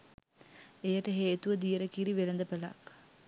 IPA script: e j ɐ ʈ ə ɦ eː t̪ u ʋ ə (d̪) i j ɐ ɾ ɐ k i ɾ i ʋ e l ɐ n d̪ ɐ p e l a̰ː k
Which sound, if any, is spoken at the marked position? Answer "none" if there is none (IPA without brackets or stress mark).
d̪